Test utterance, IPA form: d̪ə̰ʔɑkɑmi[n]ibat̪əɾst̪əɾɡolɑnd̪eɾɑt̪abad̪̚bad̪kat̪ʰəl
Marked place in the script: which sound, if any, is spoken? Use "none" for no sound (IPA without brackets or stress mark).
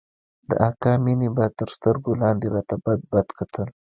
n